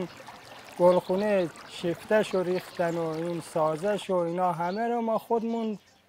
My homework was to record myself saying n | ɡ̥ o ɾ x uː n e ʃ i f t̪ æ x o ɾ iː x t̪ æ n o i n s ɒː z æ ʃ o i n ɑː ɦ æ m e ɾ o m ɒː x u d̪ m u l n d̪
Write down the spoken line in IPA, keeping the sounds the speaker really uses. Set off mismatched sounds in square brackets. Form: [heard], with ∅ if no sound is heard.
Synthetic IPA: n | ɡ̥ o [l] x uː n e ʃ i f t̪ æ [ʃ] o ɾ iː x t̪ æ n o i n s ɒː z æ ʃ o i n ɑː ɦ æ m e ɾ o m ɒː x [o] d̪ m u [∅] n d̪

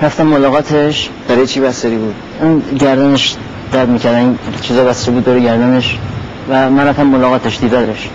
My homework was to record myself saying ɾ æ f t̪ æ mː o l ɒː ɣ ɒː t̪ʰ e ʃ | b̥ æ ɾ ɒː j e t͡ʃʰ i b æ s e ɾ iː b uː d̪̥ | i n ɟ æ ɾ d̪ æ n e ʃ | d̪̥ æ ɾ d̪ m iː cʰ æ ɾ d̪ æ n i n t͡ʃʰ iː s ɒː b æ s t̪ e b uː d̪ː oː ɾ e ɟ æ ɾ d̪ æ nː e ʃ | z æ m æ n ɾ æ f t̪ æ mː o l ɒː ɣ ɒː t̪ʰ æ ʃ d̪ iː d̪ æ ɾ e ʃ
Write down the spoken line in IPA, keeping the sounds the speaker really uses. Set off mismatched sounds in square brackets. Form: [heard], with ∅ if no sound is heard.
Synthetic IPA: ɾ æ f t̪ æ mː o l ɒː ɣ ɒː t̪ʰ e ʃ | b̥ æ ɾ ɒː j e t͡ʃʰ i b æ s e ɾ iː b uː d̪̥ | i n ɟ æ ɾ d̪ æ n e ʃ | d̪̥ æ ɾ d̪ m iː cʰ æ ɾ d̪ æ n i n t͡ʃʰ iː [z] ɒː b æ s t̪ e b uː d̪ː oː ɾ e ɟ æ ɾ d̪ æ [n] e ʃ | [v] æ m æ n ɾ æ f t̪ æ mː o l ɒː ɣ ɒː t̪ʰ [e] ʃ d̪ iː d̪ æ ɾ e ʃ

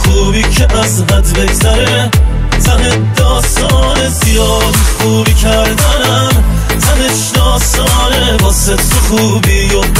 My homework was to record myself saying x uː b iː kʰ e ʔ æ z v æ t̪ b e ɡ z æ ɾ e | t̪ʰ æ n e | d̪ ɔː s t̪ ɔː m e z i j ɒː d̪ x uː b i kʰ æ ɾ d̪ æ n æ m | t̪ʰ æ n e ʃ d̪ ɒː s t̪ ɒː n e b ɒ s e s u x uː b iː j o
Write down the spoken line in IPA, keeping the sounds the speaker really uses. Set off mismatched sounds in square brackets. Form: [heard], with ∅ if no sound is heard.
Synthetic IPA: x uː b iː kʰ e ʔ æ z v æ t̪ b e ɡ z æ ɾ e | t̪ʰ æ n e | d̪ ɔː s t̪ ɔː [n] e z i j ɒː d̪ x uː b i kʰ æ ɾ d̪ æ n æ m | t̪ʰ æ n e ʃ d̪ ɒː s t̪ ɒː n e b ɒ s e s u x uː b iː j o

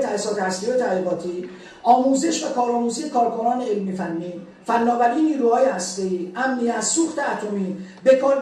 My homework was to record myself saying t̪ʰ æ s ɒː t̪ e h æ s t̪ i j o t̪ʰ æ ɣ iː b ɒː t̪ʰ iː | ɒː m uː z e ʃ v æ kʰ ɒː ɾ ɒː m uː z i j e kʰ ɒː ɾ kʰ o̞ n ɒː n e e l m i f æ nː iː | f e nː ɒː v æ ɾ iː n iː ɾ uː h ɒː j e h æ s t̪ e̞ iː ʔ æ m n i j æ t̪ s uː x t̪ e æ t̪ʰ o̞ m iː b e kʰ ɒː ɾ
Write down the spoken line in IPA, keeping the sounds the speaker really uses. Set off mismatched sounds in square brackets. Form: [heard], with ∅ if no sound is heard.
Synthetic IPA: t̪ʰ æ s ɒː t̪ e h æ s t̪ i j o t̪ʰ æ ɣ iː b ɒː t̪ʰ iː | ɒː m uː z e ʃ v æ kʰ ɒː ɾ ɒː m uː z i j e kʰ ɒː ɾ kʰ o̞ n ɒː n e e l m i f æ nː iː | f [æ] nː ɒː v æ ɾ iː n iː ɾ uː h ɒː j e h æ s t̪ e̞ iː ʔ æ m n i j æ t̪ s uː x t̪ e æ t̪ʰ o̞ m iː b e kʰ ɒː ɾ

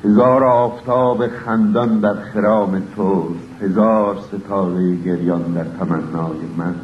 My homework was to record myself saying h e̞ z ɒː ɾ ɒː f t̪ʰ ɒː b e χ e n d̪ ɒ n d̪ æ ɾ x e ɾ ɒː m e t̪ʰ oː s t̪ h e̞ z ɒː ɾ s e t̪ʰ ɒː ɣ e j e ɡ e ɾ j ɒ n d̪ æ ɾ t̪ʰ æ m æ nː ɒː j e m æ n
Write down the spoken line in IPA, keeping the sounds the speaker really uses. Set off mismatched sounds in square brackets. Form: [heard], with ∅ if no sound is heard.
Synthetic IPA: h e̞ z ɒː ɾ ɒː f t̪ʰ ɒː b e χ [æ] n d̪ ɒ n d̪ æ ɾ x e ɾ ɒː m e t̪ʰ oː s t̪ h e̞ z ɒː ɾ s e t̪ʰ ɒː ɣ e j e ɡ e ɾ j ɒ n d̪ æ ɾ t̪ʰ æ m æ nː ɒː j e m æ n

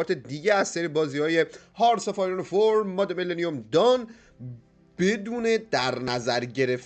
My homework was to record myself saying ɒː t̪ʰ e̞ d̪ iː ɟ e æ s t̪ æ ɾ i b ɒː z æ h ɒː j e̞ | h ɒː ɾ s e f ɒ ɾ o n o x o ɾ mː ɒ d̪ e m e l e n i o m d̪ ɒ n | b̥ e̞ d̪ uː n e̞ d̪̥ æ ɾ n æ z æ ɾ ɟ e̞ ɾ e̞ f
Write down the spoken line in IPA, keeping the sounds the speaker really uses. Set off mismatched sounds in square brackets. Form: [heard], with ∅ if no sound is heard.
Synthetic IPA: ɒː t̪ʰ e̞ d̪ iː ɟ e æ s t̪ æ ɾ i b ɒː z [i] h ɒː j e̞ | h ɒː ɾ s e f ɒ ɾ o n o [f] o ɾ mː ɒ d̪ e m e l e n i o m d̪ ɒ n | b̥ e̞ d̪ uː n e̞ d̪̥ æ ɾ n æ z æ ɾ ɟ e̞ ɾ e̞ f

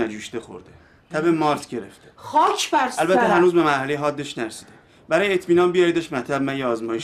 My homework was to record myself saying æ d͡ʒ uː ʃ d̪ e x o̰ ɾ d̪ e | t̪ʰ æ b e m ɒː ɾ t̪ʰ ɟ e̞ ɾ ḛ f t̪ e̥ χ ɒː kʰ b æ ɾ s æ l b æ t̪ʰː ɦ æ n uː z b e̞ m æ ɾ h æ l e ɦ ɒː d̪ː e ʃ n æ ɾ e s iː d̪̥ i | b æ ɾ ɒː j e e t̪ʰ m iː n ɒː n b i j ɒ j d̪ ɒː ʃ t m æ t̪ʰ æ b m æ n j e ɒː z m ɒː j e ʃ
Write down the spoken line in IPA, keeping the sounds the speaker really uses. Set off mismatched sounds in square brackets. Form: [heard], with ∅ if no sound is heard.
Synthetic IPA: æ d͡ʒ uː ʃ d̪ e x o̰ ɾ d̪ e | t̪ʰ æ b e m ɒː ɾ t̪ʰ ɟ e̞ ɾ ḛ f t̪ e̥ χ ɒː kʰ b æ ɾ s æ l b æ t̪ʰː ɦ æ n uː z b e̞ m æ ɾ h æ l e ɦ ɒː d̪ː e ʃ n æ ɾ e s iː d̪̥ [e] | b æ ɾ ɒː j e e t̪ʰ m iː n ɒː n b i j ɒ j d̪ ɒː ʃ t m æ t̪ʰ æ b m æ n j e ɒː z m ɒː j e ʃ

